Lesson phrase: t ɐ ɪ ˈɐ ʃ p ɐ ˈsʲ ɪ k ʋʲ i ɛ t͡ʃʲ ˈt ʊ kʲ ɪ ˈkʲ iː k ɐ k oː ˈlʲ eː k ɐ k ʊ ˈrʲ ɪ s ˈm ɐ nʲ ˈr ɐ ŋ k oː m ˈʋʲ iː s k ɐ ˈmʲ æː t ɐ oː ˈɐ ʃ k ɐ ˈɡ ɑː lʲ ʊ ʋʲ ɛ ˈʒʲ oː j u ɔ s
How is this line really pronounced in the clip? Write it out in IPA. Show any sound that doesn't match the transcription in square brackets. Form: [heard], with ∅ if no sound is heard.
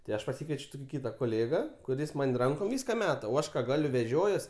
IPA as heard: t ɐ ɪ ˈɐ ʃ p ɐ ˈsʲ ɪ k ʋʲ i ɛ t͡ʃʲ ˈt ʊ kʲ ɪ ˈkʲ iː [t] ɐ k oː ˈlʲ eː [ɡ] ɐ k ʊ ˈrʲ ɪ s ˈm ɐ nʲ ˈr ɐ ŋ k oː m ˈʋʲ iː s k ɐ ˈmʲ æː t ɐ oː ˈɐ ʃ k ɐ ˈɡ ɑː lʲ ʊ ʋʲ ɛ ˈʒʲ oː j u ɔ s